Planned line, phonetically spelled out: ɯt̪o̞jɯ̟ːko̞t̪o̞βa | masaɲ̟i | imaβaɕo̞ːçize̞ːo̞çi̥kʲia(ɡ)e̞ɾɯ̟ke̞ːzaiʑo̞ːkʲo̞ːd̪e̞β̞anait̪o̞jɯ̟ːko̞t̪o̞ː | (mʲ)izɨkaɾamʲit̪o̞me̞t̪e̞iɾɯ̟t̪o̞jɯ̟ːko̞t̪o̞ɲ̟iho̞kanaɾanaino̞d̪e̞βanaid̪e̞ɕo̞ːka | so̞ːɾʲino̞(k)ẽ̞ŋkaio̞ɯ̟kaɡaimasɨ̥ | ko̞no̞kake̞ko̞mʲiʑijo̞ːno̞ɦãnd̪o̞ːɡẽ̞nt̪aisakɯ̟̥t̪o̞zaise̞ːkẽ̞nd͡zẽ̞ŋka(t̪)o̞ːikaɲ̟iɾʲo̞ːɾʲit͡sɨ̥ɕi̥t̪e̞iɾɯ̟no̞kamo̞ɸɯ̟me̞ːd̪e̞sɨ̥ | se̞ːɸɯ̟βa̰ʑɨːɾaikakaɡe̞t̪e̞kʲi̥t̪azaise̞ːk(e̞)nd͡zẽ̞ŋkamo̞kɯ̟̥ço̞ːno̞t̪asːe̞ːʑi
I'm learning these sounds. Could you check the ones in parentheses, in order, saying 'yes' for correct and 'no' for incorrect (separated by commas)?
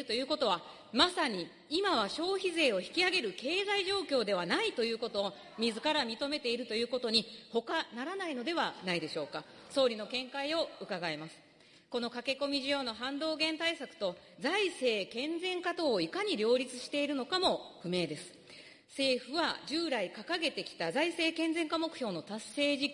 yes, yes, yes, yes, no